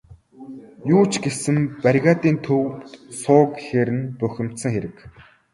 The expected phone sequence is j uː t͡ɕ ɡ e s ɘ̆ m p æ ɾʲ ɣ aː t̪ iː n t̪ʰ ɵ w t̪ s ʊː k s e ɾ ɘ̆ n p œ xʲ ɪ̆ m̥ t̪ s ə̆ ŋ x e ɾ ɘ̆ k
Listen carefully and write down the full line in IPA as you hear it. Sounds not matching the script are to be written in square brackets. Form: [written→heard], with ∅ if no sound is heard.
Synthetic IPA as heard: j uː t͡ɕ ɡ e s ɘ̆ m p æ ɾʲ ɣ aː t̪ iː n t̪ʰ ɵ w t̪ s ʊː k [s→x] e ɾ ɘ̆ n p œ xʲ ɪ̆ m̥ t̪ s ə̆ ŋ x e ɾ ɘ̆ k